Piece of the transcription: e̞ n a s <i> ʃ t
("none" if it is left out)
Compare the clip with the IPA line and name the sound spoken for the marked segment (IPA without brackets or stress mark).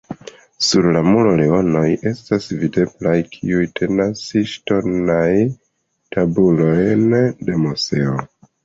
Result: i